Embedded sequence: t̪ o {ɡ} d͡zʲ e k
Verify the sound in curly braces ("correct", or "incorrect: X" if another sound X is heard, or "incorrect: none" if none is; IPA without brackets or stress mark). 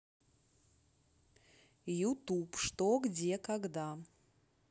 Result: correct